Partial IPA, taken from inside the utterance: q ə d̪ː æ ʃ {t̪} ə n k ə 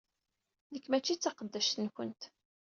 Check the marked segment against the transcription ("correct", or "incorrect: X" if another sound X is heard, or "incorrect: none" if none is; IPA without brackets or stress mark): correct